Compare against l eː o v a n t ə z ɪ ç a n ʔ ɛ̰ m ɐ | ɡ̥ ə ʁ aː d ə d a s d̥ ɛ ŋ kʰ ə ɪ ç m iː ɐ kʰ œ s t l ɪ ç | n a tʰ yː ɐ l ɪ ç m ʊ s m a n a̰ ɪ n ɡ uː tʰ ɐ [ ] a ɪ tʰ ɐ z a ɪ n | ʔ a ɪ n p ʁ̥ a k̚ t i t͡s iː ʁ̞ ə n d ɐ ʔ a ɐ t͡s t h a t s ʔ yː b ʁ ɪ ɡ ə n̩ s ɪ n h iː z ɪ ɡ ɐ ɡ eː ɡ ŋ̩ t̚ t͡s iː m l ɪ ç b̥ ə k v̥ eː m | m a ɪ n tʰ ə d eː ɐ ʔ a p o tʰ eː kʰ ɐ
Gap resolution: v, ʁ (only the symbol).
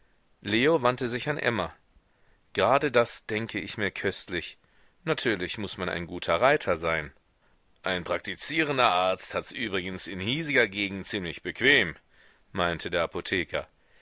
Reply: ʁ